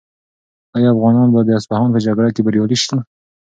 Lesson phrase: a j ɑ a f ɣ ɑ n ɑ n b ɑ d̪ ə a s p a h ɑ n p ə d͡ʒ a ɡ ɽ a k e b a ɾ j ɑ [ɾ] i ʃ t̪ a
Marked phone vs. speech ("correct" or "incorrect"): incorrect